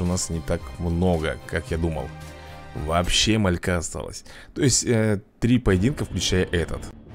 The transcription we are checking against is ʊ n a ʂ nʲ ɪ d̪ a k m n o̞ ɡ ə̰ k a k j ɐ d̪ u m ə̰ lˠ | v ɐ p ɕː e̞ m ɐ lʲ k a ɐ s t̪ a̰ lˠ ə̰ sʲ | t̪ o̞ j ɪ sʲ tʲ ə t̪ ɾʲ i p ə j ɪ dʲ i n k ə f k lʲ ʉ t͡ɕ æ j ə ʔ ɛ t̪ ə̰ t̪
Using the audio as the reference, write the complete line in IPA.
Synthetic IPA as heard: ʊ n a s nʲ ɪ t̪ a k m n o̞ ɡ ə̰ k a k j a d̪ u m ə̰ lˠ | v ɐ p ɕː e̞ m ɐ lʲ k a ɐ s t̪ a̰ lˠ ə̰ sʲ | t̪ o̞ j ɪ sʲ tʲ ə t̪ ɾʲ i p ə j ɪ dʲ i n k ə f k lʲ ʉ t͡ɕ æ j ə ʔ ɛ t̪ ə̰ t̪